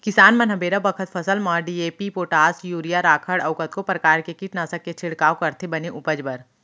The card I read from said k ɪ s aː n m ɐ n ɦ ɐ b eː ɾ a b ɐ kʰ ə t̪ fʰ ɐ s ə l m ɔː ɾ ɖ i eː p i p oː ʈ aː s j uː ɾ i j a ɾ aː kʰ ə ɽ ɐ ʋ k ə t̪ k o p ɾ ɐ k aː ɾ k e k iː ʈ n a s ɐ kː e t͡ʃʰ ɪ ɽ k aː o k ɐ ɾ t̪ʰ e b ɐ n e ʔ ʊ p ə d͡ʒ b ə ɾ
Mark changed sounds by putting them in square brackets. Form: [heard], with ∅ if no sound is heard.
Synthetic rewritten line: k ɪ s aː n m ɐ n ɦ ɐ b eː ɾ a b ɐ kʰ ə t̪ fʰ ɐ s ə l m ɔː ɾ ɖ i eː p i p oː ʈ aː s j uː ɾ i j a ɾ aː kʰ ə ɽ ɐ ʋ k ə t̪ k o p ɾ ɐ k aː ɾ k e k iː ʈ n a s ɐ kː e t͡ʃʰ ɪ ɽ k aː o k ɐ ɾ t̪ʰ e b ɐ n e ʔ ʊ p ə d͡ʒ b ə ɾ